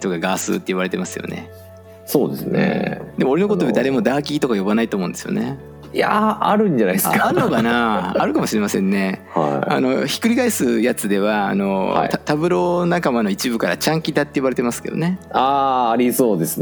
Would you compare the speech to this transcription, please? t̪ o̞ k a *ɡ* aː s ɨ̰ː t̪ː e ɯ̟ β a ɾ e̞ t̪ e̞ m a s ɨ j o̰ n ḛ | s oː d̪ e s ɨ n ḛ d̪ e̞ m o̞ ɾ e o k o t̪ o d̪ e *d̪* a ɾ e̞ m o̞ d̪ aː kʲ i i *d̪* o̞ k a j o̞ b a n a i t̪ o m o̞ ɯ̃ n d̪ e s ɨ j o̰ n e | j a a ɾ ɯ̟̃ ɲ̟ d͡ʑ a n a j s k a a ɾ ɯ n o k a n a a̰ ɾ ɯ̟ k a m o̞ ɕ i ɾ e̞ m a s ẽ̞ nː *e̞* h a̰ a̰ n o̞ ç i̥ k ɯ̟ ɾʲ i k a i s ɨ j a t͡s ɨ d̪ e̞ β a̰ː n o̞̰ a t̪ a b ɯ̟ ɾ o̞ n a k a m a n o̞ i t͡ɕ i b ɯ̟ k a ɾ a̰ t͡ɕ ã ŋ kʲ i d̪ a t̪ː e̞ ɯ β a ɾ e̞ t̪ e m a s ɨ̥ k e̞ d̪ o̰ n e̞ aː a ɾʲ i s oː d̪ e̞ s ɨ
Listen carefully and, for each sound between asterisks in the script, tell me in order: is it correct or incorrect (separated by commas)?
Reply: correct, correct, incorrect, correct